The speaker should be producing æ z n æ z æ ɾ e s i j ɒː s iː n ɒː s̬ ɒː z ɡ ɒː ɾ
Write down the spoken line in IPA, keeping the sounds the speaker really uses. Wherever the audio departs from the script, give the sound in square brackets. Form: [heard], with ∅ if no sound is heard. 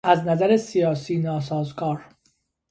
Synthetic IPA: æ z n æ z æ ɾ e s i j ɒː s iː n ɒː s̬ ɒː z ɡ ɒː ɾ